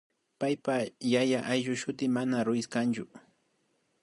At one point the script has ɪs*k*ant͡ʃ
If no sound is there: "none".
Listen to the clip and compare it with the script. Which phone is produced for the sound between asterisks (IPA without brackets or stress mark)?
k